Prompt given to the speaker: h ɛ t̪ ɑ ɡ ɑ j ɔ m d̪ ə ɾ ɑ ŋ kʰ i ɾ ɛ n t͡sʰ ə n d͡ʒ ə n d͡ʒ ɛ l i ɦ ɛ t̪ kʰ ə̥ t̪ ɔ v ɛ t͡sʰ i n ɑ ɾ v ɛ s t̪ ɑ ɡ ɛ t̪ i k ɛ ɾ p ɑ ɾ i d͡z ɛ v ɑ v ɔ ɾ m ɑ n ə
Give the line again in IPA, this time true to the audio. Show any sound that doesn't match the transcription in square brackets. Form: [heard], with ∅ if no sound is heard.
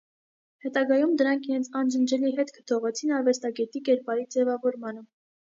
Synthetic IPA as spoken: h ɛ t̪ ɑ ɡ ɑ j [u] m d̪ ə ɾ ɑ ŋ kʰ i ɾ ɛ n t͡sʰ [ɑ] n d͡ʒ ə n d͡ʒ ɛ l i ɦ ɛ t̪ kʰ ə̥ [t̪ʰ] ɔ [ʁ] ɛ t͡sʰ i n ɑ ɾ v ɛ s t̪ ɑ ɡ ɛ t̪ i k ɛ ɾ p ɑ ɾ i d͡z ɛ v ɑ v ɔ ɾ m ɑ n ə